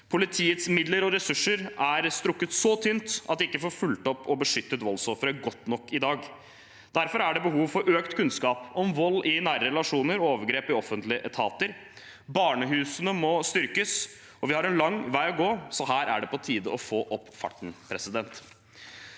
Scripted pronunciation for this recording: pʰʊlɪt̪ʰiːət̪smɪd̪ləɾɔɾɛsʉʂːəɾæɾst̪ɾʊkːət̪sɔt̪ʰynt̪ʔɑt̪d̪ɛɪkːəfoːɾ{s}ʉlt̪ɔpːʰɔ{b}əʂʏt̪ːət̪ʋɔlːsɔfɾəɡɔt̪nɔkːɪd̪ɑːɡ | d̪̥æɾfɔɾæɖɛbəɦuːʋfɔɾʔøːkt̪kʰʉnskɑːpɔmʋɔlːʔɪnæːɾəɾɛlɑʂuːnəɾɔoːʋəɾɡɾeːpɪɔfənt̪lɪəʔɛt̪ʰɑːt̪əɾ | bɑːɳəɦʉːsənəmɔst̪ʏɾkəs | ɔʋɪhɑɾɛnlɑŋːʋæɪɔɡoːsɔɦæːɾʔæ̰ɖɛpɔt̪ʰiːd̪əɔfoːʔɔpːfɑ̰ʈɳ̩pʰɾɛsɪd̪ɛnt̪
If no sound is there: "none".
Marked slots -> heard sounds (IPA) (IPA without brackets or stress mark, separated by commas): f, b